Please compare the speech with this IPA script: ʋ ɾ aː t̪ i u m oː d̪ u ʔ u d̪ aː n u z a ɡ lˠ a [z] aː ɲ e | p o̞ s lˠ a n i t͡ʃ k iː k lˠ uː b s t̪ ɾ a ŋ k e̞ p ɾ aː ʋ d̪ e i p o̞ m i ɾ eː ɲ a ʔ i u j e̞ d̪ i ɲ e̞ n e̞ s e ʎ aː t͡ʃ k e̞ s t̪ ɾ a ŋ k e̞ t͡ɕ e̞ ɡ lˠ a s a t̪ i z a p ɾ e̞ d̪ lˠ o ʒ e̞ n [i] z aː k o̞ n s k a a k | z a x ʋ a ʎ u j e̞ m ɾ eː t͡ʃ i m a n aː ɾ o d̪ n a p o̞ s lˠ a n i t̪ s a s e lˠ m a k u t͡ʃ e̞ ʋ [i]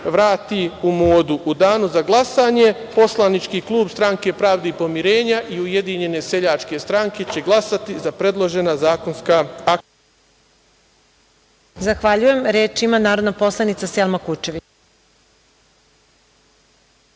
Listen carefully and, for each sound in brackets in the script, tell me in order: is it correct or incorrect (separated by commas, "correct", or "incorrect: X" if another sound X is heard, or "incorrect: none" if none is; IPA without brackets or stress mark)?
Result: incorrect: s, incorrect: a, correct